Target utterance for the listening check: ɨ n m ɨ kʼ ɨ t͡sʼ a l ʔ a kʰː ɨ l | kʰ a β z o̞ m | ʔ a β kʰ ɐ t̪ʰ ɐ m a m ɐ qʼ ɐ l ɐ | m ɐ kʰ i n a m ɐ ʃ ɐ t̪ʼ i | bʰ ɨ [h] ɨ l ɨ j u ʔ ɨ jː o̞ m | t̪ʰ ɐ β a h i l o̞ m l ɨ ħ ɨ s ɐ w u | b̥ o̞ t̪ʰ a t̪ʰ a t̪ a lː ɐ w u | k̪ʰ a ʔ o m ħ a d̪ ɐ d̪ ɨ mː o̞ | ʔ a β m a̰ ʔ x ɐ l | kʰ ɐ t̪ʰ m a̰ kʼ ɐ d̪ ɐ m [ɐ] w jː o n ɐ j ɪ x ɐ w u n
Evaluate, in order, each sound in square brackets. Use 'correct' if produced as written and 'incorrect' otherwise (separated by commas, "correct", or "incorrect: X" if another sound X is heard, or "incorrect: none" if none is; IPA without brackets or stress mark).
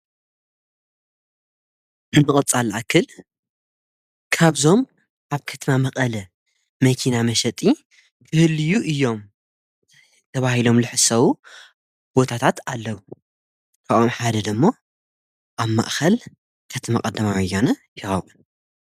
correct, incorrect: a